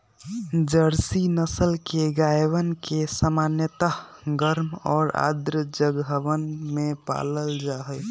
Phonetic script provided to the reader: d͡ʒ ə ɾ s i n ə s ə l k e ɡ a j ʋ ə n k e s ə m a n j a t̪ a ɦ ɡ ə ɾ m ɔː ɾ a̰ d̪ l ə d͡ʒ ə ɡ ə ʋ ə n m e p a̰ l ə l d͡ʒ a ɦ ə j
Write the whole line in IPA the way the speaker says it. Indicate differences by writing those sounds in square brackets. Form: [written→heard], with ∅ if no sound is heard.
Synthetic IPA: d͡ʒ ə ɾ s i n ə s ə l k e ɡ a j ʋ ə n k e s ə m a n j [a→ə] t̪ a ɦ ɡ ə ɾ m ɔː ɾ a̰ d̪ [l→ɾ] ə d͡ʒ ə ɡ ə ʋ ə n m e p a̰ l ə l d͡ʒ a ɦ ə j

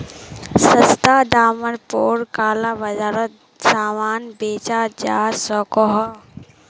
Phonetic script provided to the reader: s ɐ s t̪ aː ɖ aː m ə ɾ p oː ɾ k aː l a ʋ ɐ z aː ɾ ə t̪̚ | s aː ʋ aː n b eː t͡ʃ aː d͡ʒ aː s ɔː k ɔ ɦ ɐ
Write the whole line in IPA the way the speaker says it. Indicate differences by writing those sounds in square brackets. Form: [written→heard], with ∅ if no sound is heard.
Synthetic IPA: s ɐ s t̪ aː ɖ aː m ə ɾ p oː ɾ k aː l a ʋ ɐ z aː ɾ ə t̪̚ | s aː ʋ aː n b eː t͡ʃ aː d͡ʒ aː s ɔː k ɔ ɦ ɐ

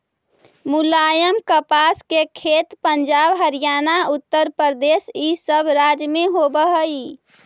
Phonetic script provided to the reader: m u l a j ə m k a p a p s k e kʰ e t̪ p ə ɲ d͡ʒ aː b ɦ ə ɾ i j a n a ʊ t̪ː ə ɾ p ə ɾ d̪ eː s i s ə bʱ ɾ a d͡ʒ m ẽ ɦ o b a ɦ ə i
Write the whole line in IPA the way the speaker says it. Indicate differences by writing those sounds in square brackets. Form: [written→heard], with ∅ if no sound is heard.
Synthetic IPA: m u l a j ə m k [a→ə] p a [p→∅] s k e kʰ e t̪ p ə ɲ d͡ʒ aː b ɦ ə ɾ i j a n a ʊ t̪ː ə ɾ p ə ɾ d̪ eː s i s ə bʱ ɾ a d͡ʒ m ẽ ɦ o b [a→ə] ɦ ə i

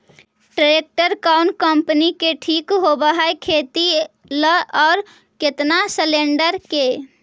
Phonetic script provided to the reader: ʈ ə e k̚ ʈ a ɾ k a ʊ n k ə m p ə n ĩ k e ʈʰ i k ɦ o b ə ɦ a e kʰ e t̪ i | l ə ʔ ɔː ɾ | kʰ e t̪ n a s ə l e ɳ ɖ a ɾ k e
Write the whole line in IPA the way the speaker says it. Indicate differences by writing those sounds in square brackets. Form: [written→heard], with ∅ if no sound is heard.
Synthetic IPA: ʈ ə e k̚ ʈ [a→ə] ɾ k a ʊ n k ə m p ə n [ĩ→i] k e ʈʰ i k ɦ o b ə ɦ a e kʰ e t̪ i | l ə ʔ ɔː ɾ | [kʰ→k] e t̪ n a s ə l e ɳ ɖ [a→ə] ɾ k e

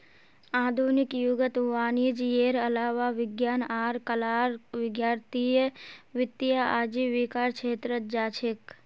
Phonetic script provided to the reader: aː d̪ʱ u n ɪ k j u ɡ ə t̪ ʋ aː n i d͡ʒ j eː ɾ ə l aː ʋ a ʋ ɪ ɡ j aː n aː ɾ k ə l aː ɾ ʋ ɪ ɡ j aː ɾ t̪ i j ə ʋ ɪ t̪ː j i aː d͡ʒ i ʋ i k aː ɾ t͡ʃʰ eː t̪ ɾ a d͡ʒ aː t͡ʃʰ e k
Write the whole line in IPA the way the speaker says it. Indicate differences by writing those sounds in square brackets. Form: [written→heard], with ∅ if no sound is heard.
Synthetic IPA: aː d̪ʱ u n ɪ k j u ɡ ə t̪ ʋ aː n i d͡ʒ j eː ɾ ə l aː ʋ a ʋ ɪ ɡ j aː n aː ɾ k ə l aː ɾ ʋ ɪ ɡ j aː ɾ t̪ i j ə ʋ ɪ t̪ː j [i→a] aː d͡ʒ i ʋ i k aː ɾ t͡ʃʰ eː t̪ ɾ [a→ə] d͡ʒ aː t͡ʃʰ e k

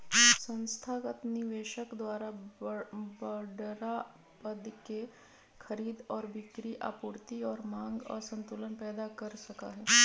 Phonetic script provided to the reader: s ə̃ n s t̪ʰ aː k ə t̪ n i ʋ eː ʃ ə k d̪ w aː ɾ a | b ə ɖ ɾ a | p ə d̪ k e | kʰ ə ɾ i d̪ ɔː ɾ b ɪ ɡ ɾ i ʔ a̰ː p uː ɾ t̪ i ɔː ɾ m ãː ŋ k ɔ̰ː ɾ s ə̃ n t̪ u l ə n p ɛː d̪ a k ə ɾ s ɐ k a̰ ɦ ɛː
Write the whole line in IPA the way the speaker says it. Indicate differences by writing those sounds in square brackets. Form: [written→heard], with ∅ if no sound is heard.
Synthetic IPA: s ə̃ n s t̪ʰ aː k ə t̪ n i ʋ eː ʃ ə k d̪ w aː ɾ a | b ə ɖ ɾ a | p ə d̪ k e | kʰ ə ɾ [i→iː] d̪ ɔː ɾ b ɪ [ɡ→k] ɾ i ʔ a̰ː p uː ɾ t̪ i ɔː ɾ m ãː ŋ [k→ɡ] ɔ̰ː ɾ s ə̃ n t̪ u l ə n p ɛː d̪ a k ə ɾ s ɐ k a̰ ɦ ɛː

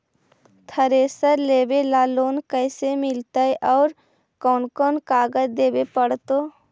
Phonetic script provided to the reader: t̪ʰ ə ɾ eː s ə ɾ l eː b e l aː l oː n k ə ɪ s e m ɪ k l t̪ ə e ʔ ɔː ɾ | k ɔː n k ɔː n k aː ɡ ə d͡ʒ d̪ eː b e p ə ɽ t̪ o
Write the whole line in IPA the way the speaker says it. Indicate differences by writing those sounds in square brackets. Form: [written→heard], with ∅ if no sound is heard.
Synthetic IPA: t̪ʰ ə ɾ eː s ə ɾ l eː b e l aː l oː n k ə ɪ s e m ɪ [k→∅] l t̪ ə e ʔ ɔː ɾ | k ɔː n k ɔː n k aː ɡ ə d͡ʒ d̪ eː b e p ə ɽ t̪ o

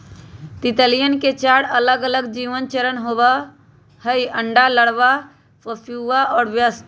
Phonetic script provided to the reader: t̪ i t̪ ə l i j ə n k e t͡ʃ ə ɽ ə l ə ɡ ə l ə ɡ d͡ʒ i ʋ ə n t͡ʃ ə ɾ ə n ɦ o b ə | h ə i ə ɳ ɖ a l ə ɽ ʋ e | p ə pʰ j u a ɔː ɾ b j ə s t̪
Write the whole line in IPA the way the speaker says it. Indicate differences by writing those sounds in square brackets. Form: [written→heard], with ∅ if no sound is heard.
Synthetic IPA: t̪ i t̪ ə l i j ə n k e t͡ʃ [ə→a] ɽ ə l ə ɡ ə l ə ɡ d͡ʒ i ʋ ə n t͡ʃ ə ɾ ə n ɦ o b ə | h ə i ə ɳ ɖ a l ə ɽ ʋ [e→a] | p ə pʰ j u a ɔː ɾ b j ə s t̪

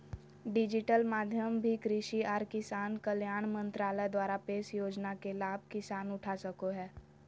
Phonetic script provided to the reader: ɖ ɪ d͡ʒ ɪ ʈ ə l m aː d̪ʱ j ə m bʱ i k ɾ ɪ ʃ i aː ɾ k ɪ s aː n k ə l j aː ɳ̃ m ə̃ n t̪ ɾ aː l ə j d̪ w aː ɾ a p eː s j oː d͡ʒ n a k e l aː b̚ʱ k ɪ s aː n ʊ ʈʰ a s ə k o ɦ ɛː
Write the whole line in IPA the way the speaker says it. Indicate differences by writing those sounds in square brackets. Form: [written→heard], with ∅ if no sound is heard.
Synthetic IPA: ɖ ɪ d͡ʒ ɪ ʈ ə l m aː d̪ʱ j ə m bʱ i k ɾ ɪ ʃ i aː ɾ k ɪ s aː n k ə l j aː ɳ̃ m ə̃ n t̪ ɾ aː l ə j d̪ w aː ɾ a p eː s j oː d͡ʒ n a k e l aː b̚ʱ k ɪ s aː n ʊ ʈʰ a s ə k o ɦ ɛː

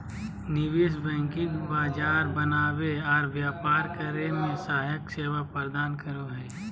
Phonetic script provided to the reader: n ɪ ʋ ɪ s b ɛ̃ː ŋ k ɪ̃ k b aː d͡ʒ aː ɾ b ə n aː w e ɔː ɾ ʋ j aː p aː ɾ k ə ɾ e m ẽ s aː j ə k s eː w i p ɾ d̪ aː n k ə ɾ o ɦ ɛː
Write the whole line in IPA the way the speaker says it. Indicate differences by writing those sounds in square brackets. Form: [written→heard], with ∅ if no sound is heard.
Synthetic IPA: n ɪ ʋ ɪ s b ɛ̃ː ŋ k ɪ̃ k b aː d͡ʒ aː ɾ b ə n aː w e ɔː ɾ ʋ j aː p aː ɾ k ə ɾ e m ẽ s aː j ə k s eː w [i→a] p ɾ d̪ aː n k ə ɾ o ɦ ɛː

